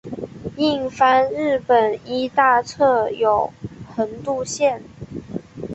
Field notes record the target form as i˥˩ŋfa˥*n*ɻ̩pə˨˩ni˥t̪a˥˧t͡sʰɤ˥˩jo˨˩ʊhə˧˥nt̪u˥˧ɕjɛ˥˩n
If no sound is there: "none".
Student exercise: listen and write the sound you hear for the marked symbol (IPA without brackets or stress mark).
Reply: n